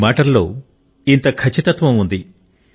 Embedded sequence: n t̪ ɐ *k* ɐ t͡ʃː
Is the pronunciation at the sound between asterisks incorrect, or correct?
incorrect